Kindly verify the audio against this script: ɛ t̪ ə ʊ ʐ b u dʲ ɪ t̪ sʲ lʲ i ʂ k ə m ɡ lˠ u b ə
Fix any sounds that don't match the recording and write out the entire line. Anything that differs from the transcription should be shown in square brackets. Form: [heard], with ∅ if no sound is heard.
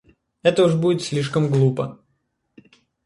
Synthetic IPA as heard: ɛ t̪ ə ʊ ʐ b u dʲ ɪ t̪ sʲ lʲ i ʂ k ə m ɡ lˠ u [p] ə